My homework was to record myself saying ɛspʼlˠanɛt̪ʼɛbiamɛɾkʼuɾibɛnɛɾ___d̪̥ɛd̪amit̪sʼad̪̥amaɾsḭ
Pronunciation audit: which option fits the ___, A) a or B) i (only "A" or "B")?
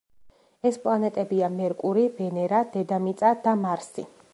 A